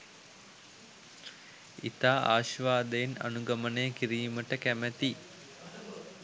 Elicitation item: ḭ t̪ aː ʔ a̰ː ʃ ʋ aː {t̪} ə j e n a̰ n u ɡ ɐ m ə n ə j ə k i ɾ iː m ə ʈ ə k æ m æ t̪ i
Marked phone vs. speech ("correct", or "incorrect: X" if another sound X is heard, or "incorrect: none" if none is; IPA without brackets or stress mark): incorrect: d̪